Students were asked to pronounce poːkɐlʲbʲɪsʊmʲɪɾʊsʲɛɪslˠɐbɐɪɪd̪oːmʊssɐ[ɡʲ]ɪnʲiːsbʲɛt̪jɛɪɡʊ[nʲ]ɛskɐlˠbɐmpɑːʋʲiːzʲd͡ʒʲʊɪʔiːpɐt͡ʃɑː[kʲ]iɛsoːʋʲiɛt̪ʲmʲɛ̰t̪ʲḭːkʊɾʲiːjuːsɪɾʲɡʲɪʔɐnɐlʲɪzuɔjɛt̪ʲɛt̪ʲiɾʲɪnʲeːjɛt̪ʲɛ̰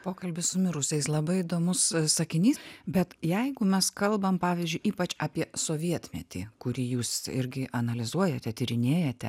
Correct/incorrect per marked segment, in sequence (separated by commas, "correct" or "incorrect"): incorrect, incorrect, incorrect